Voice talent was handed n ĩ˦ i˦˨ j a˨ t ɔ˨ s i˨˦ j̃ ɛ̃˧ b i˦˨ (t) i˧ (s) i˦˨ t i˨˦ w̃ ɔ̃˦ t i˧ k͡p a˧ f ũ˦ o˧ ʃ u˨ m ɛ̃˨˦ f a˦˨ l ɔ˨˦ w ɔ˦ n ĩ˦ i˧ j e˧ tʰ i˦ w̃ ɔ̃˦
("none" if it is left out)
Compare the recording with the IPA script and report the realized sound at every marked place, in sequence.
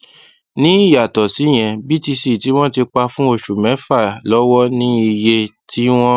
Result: t, s

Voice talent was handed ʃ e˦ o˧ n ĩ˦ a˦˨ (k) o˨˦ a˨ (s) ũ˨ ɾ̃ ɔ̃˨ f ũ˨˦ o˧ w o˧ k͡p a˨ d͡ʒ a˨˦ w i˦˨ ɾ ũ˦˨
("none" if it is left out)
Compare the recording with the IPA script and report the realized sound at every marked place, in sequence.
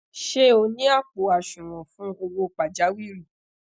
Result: k͡p, ʃ

